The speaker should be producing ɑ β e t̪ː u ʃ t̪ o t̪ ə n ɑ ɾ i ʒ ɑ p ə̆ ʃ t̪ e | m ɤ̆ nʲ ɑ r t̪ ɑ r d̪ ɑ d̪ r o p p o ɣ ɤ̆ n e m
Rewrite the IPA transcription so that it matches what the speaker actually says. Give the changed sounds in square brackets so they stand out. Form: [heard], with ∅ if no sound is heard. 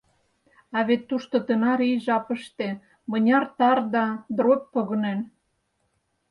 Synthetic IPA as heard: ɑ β e t̪ː u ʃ t̪ o t̪ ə n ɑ ɾ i ʒ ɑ p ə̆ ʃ t̪ e | m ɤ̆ nʲ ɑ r t̪ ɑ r d̪ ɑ d̪ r o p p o ɣ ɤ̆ n e [n]